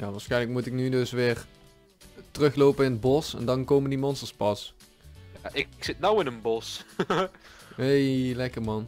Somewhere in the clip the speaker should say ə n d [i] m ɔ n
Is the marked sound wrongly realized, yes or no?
no